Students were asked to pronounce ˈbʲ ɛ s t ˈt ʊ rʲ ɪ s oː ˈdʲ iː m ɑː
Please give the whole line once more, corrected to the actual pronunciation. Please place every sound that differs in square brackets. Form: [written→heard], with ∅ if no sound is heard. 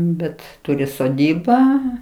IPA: ˈbʲ ɛ [s→∅] t ˈt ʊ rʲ ɪ s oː ˈdʲ iː [m→b] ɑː